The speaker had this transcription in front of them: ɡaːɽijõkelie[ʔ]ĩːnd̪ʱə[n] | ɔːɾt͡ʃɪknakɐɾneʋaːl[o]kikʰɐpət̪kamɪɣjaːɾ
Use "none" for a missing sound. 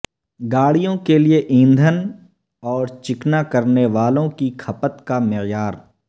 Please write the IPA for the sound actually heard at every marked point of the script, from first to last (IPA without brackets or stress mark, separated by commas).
ʔ, n, õ